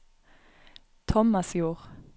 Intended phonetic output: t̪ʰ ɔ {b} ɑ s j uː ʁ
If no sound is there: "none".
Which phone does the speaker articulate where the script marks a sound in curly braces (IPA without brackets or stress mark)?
m